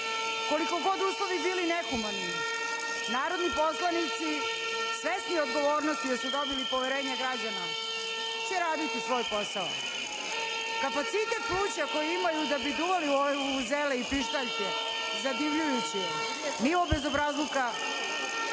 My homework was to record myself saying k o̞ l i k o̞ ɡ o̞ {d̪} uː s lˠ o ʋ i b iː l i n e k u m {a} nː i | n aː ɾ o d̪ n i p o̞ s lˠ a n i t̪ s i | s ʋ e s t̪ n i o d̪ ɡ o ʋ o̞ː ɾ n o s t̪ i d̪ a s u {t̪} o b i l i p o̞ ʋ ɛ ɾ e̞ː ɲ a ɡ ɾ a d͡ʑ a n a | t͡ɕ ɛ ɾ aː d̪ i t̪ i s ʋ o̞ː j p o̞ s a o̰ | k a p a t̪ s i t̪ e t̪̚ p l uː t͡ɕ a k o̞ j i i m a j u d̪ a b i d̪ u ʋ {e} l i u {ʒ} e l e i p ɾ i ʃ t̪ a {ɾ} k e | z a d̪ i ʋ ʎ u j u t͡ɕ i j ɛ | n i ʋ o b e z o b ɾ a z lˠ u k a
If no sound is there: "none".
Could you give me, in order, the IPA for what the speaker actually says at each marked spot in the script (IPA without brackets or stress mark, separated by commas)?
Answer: d̪, a, d̪, a, z, ʎ